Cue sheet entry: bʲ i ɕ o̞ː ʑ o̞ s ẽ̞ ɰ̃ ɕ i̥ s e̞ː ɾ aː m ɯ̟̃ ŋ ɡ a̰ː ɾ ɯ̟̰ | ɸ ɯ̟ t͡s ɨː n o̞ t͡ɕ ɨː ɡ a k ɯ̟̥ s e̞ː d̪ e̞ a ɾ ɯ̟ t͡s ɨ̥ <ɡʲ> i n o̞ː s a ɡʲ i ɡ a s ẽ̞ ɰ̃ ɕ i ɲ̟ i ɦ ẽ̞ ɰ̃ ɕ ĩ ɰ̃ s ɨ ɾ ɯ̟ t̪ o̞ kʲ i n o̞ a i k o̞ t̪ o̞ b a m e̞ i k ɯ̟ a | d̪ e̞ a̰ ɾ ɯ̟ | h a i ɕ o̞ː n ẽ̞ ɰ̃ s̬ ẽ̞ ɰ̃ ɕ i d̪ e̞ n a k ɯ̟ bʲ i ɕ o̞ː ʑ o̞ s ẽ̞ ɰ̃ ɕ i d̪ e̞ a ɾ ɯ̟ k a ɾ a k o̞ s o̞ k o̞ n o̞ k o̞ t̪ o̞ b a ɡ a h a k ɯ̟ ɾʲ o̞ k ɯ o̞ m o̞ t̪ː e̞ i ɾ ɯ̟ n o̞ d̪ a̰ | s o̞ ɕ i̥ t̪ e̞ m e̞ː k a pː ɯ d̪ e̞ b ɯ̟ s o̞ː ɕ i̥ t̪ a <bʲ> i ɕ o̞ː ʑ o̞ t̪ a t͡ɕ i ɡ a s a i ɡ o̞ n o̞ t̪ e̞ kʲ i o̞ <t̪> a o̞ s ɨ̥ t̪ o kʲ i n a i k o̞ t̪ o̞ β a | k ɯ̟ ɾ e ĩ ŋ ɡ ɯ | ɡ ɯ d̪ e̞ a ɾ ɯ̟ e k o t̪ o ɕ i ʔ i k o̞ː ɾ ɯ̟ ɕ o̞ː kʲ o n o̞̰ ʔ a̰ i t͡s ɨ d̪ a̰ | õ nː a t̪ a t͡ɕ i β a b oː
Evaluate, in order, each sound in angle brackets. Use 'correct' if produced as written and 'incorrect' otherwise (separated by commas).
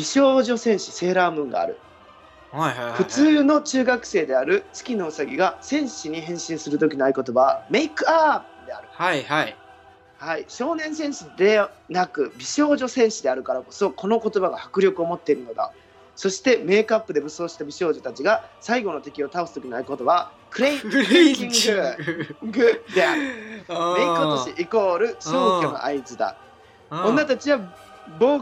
incorrect, correct, correct